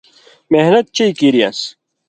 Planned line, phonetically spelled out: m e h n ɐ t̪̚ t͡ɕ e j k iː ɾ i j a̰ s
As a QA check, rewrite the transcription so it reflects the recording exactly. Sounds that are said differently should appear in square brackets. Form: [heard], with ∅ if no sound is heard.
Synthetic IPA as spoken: m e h n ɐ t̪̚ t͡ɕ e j k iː ɾ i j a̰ s